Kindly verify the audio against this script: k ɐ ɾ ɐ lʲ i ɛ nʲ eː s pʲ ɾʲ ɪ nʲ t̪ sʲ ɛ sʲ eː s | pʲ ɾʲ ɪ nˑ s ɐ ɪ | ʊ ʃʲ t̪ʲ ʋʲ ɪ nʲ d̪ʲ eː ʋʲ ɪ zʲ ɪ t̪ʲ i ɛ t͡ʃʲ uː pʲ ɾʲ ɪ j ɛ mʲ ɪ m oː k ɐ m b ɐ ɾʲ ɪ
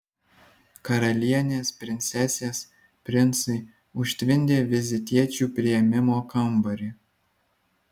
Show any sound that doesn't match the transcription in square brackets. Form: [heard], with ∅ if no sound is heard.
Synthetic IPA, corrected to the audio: k ɐ ɾ ɐ lʲ i ɛ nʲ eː s pʲ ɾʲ ɪ nʲ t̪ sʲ ɛ sʲ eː s | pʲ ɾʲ ɪ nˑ s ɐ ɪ | ʊ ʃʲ t̪ʲ ʋʲ ɪ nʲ d̪ʲ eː ʋʲ ɪ zʲ ɪ t̪ʲ i ɛ t͡ʃʲ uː pʲ ɾʲ ɪ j ɛ mʲ ɪ m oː k ɐ m b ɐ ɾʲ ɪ